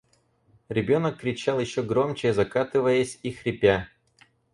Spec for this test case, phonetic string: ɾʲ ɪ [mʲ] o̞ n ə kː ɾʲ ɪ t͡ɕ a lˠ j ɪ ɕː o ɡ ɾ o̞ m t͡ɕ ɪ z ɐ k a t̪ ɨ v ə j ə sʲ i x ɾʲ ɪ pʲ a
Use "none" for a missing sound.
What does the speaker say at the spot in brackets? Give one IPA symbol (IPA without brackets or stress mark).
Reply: bʲ